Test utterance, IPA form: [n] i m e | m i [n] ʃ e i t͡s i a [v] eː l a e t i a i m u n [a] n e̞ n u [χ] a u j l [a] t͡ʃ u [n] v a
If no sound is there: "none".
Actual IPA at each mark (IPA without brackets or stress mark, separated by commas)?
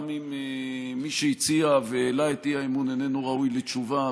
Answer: m, none, v, e, ʁ, e, none